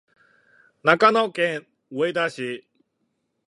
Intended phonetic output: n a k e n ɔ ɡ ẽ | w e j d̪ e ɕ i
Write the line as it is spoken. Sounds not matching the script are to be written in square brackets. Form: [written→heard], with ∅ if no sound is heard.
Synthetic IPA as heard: n a k [e→a] n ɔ [ɡ→k] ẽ | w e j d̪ [e→a] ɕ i